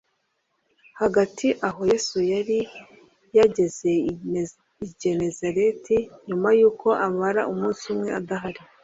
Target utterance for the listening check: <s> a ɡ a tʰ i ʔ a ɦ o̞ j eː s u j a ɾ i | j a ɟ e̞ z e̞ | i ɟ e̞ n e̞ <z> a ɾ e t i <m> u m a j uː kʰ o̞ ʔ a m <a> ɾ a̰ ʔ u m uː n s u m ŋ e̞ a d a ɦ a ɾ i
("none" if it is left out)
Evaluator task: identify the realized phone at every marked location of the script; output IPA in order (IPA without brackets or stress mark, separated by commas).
h, z, ɲ, a